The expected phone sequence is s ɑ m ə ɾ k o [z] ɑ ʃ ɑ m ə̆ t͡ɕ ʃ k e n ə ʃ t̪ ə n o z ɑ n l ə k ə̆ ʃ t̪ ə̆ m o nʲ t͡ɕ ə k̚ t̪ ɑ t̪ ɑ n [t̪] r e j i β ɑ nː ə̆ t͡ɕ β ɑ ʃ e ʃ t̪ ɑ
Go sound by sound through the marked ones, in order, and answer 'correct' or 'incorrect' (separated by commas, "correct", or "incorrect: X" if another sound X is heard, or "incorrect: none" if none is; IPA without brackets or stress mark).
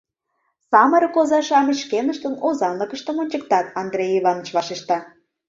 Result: correct, incorrect: d̪